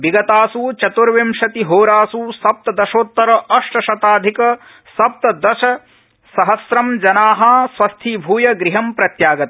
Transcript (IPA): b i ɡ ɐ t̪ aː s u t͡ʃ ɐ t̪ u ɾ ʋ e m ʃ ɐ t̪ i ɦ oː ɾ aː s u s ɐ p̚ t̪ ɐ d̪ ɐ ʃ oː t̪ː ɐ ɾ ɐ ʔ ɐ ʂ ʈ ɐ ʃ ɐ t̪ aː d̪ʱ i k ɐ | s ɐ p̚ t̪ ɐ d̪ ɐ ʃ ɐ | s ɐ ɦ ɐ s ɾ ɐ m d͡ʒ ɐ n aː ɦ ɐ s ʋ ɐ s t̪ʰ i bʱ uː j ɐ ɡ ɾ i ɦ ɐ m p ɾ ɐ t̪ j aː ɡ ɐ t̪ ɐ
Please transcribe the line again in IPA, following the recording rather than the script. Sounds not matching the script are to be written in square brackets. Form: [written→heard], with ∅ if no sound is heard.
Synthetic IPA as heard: b i ɡ ɐ t̪ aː s u t͡ʃ ɐ t̪ u ɾ ʋ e m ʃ ɐ t̪ i ɦ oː ɾ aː s u s ɐ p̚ t̪ ɐ d̪ ɐ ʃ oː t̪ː ɐ ɾ ɐ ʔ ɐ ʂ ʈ ɐ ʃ ɐ t̪ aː d̪ʱ i k ɐ | s ɐ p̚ t̪ ɐ d̪ ɐ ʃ ɐ | s ɐ ɦ ɐ s ɾ ɐ m d͡ʒ ɐ n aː ɦ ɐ s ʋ ɐ s t̪ʰ i bʱ uː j ɐ ɡ ɾ i ɦ ɐ m p ɾ ɐ t̪ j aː ɡ ɐ t̪ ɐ